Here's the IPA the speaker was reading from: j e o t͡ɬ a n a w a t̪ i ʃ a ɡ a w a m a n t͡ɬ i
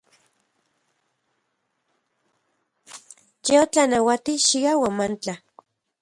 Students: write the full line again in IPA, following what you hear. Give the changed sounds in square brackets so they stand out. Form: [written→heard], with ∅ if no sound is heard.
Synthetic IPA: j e o t͡ɬ a n a w a t̪ i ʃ [a→i] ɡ a w a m a n t͡ɬ [i→a]